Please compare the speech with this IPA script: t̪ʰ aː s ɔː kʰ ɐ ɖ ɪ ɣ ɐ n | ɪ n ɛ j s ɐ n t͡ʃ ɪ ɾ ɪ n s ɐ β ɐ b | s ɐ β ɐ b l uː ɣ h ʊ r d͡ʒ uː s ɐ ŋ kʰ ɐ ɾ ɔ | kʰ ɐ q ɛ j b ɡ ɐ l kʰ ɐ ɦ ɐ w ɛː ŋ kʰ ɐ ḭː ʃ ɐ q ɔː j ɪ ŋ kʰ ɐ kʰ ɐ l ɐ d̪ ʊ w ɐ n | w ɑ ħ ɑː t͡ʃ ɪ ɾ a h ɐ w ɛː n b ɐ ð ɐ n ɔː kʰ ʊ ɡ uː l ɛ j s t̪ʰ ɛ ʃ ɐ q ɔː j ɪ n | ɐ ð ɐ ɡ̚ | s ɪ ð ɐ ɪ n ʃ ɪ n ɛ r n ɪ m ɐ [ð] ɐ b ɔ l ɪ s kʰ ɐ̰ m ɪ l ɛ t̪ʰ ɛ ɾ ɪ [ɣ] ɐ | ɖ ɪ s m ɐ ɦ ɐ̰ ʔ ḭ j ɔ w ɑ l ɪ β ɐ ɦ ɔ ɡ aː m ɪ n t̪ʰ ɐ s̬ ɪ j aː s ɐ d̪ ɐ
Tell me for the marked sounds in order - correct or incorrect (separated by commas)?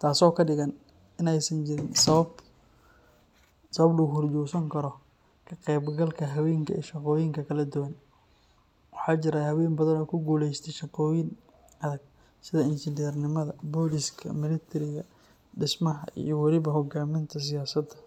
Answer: correct, correct